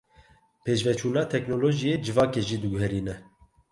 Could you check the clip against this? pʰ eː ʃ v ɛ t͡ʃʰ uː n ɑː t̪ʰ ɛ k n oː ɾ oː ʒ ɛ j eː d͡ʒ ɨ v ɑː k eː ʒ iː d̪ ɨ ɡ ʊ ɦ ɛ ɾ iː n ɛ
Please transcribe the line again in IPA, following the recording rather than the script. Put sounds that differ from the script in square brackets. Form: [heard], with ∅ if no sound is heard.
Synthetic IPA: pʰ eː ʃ v ɛ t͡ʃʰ uː n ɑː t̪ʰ ɛ k n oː [l] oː ʒ [i] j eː d͡ʒ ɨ v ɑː k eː ʒ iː d̪ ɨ ɡ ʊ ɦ ɛ ɾ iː n ɛ